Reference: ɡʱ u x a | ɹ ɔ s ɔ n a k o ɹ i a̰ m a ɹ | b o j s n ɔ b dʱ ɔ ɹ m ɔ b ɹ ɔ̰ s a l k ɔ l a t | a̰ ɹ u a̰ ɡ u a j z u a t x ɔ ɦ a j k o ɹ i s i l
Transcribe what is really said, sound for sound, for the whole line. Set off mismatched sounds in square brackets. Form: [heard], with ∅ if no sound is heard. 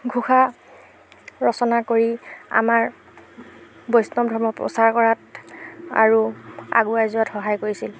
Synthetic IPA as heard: ɡʱ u x a | ɹ ɔ s ɔ n a k o ɹ i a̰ m a ɹ | b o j s n ɔ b dʱ ɔ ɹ m ɔ [p] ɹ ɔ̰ s a [ɹ] k ɔ [ɹ] a t | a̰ ɹ u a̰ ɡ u a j z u a t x ɔ ɦ a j k o ɹ i s i l